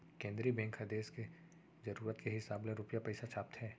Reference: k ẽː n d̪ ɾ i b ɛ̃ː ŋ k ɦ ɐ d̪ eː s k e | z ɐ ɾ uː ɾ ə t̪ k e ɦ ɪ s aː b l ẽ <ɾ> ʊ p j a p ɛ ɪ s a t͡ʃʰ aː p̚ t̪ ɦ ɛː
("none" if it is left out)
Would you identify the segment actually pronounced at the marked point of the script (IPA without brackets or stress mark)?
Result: ɾ